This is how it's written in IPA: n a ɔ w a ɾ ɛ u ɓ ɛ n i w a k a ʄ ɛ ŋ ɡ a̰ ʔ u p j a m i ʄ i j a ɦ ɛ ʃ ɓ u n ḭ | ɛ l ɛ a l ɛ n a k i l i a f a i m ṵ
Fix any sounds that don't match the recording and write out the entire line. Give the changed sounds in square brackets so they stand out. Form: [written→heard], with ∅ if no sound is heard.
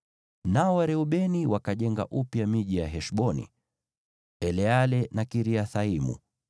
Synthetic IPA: n a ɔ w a ɾ ɛ u ɓ ɛ n i w a k a ʄ ɛ ŋ ɡ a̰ ʔ u p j a m i ʄ i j a ɦ ɛ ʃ ɓ [u→ɔ] n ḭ | ɛ l ɛ a l ɛ n a k i [l→ɾ] i a [f→θ] a i m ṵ